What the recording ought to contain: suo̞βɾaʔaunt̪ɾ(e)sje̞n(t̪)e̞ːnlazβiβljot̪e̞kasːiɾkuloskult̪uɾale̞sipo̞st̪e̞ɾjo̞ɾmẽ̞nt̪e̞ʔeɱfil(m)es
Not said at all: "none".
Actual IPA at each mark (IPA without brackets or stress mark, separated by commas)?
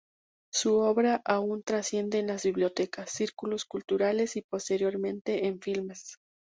a, d̪, m